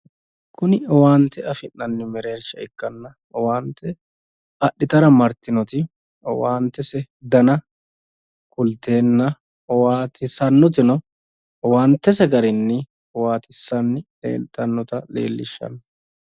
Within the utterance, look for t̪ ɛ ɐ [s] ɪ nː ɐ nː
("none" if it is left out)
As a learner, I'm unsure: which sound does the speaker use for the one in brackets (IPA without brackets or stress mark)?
f